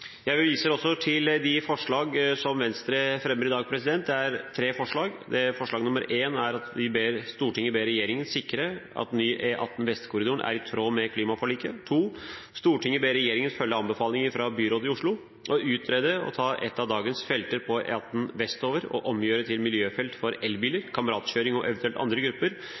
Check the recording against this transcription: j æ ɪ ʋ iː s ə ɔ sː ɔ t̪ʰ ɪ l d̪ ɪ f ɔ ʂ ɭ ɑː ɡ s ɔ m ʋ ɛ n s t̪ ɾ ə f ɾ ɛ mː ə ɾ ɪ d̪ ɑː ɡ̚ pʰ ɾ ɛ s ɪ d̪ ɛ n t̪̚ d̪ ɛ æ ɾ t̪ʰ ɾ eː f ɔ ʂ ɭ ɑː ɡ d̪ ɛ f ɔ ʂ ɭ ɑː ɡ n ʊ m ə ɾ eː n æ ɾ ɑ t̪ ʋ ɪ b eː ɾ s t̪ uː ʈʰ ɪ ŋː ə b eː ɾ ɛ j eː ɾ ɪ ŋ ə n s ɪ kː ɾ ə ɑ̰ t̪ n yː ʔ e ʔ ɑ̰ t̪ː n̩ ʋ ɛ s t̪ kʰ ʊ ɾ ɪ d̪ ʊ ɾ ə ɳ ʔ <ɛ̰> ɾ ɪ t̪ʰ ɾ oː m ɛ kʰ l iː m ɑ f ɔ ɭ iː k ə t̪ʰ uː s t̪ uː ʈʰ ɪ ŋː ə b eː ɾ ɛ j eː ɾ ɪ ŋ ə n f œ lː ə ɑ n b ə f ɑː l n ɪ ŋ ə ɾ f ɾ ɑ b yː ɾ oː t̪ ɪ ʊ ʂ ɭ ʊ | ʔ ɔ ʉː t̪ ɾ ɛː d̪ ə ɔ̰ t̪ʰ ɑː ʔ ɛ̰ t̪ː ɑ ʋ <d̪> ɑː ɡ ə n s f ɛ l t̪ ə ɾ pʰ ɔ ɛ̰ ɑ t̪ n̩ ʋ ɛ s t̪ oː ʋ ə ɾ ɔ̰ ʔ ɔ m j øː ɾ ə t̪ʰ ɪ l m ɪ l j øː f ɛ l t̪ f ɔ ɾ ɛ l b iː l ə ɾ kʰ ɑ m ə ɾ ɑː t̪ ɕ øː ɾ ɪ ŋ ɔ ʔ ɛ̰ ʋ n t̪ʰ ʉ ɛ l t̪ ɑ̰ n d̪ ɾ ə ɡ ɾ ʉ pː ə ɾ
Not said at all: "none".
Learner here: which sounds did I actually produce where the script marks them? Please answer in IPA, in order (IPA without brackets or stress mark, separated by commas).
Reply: æ̰, d̪